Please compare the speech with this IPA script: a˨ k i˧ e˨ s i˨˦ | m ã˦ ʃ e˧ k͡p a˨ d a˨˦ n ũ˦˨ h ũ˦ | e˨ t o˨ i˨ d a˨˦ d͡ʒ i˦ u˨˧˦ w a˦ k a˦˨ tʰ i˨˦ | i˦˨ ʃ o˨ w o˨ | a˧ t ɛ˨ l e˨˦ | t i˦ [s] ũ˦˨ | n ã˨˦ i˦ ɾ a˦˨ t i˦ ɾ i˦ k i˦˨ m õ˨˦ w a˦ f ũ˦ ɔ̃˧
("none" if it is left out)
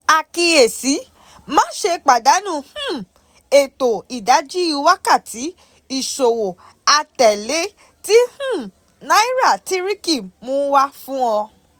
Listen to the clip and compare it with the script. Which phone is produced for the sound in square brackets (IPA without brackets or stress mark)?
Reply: h